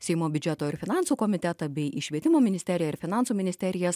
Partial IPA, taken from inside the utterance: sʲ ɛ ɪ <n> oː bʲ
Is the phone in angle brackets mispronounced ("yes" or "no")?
yes